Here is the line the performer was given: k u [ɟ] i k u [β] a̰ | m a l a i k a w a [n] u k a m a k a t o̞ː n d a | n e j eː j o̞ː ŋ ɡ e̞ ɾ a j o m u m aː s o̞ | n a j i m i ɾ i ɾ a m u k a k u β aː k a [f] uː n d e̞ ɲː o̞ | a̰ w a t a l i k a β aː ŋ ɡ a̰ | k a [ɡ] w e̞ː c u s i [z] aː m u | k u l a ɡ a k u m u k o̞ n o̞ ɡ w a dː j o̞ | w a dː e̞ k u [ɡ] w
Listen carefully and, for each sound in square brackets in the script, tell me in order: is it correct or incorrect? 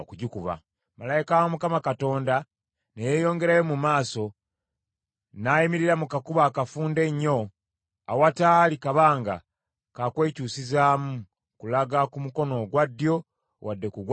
correct, correct, incorrect, correct, incorrect, correct, correct

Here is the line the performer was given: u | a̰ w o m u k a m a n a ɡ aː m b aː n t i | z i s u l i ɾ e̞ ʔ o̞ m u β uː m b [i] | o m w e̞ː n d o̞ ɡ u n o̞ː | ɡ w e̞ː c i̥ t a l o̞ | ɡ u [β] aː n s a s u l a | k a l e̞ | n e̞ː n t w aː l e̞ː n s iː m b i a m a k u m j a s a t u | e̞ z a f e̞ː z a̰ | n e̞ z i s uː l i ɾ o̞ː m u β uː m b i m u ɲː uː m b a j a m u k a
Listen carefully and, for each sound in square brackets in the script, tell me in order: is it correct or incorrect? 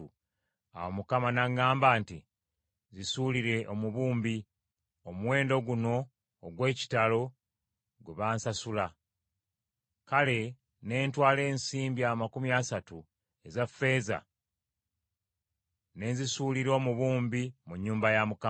correct, correct

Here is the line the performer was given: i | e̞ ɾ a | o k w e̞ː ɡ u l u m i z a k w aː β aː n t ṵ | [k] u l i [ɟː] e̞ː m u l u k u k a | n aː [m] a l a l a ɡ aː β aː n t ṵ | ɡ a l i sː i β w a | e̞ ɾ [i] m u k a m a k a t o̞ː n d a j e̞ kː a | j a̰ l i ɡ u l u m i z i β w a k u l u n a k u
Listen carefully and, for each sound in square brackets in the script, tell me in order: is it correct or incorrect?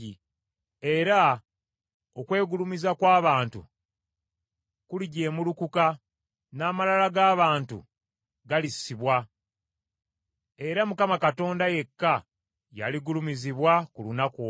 correct, incorrect, correct, incorrect

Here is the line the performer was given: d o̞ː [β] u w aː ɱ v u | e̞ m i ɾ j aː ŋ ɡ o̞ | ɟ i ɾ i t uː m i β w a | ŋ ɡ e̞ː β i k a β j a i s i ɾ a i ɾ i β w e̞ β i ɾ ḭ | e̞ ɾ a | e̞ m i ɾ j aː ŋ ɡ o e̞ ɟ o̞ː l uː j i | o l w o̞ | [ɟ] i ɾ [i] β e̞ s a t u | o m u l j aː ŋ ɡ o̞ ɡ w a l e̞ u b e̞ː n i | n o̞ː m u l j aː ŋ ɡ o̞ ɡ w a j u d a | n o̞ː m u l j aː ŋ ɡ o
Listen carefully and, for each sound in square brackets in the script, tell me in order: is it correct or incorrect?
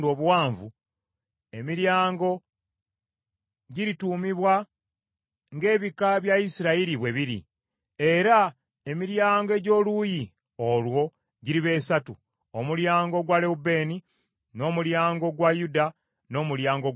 correct, correct, correct

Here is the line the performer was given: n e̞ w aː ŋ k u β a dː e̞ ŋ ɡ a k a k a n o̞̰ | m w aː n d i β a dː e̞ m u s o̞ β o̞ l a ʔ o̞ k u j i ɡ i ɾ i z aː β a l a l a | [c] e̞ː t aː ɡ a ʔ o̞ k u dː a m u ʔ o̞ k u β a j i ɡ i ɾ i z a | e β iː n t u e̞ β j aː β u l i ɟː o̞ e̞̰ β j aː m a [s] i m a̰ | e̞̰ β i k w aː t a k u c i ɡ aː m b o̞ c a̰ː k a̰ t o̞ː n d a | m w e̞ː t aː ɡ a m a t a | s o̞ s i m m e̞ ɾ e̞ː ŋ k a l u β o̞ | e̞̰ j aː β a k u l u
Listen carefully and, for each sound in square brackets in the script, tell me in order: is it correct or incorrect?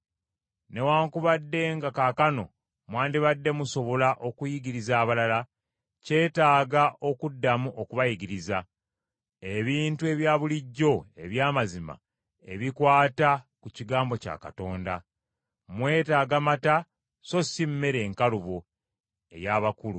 correct, incorrect

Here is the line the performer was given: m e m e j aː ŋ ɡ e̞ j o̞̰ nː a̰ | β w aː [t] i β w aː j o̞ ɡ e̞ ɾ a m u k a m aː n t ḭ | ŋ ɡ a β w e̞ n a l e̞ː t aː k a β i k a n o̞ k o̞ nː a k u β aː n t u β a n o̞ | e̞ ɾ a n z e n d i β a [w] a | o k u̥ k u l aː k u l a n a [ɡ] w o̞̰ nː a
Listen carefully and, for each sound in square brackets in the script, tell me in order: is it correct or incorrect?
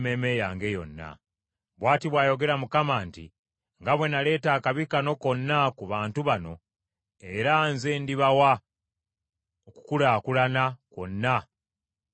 correct, correct, incorrect

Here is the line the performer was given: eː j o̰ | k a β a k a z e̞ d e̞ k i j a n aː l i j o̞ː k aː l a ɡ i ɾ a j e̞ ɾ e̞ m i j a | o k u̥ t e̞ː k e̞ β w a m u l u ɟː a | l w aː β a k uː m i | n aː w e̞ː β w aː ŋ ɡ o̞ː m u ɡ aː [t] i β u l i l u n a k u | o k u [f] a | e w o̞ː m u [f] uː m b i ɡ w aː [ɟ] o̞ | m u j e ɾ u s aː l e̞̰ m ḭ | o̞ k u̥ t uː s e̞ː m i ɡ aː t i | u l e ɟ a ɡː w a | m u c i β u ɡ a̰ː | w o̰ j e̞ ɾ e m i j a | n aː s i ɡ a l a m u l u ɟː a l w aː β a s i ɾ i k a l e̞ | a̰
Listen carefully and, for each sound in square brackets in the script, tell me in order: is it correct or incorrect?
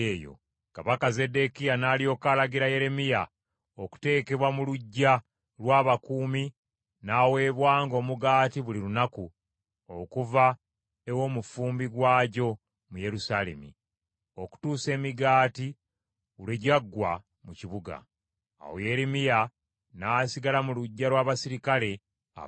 correct, incorrect, correct, correct

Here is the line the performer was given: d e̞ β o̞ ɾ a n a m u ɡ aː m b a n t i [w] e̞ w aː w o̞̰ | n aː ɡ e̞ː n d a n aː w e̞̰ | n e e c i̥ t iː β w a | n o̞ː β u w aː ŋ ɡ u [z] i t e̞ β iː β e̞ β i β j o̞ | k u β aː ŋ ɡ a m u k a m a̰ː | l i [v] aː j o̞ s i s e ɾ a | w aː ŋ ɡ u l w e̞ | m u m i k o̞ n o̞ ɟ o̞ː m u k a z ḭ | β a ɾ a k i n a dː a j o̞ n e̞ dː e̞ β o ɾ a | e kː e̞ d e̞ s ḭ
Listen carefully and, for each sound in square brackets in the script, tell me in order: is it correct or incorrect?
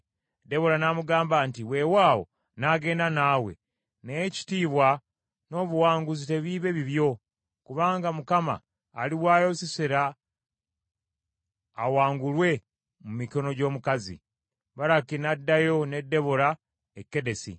correct, correct, incorrect

